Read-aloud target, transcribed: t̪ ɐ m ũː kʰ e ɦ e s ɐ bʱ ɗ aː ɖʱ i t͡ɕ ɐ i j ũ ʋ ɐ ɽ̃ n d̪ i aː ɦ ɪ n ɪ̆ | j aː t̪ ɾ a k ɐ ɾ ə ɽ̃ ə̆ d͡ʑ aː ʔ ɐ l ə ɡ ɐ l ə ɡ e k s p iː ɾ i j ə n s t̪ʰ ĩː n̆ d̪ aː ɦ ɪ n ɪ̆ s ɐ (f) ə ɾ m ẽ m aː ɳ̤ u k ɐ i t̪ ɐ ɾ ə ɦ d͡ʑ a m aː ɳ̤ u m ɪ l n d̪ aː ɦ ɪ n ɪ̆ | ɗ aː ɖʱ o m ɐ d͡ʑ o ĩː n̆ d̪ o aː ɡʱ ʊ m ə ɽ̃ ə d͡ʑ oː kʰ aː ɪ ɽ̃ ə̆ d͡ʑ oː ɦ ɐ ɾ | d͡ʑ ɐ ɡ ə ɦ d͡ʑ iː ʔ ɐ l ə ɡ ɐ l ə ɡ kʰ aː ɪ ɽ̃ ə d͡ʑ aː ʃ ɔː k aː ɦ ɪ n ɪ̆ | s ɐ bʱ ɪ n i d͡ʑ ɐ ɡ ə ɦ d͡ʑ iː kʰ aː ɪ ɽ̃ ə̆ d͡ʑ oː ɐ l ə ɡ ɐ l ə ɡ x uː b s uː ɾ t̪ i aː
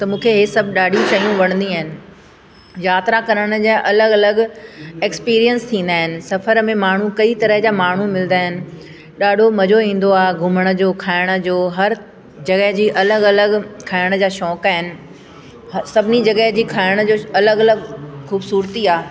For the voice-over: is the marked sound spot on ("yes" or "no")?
yes